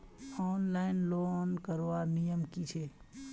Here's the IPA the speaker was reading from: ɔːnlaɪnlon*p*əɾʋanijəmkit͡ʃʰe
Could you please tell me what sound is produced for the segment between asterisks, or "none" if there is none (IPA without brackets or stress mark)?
k